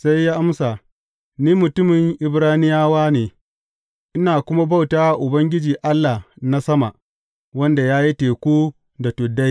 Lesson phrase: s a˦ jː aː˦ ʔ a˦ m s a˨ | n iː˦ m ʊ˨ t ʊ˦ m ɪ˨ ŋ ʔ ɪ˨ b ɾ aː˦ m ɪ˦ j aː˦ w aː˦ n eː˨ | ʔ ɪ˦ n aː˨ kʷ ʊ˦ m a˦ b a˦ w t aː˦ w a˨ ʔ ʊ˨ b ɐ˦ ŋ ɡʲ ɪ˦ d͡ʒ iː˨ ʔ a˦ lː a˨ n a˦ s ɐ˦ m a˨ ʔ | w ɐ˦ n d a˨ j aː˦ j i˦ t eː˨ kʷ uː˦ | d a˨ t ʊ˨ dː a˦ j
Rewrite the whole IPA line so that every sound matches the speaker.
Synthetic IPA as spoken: s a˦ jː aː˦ ʔ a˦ m s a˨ | n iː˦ m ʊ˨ t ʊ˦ m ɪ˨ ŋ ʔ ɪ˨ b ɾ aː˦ n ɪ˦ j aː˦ w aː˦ n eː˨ | ʔ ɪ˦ n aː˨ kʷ ʊ˦ m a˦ b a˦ w t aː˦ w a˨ ʔ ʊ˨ b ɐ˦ ŋ ɡʲ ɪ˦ d͡ʒ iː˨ ʔ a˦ lː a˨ n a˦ s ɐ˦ m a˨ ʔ | w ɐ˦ n d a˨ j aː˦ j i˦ t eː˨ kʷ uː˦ | d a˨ t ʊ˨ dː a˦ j